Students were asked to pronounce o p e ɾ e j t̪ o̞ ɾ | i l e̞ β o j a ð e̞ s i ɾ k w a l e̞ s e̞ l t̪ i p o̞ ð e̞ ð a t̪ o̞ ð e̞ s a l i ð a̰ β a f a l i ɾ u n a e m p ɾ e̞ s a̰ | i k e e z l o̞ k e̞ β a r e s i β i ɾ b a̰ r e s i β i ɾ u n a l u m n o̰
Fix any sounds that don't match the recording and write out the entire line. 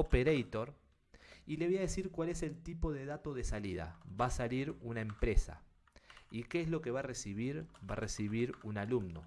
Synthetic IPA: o p e ɾ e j t̪ o̞ ɾ | i l e̞ β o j a ð e̞ s i ɾ k w a l e̞ s e̞ l t̪ i p o̞ ð e̞ ð a t̪ o̞ ð e̞ s a l i ð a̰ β a s a l i ɾ u n a e m p ɾ e̞ s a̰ | i k e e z l o̞ k e̞ β a r e s i β i ɾ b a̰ r e s i β i ɾ u n a l u m n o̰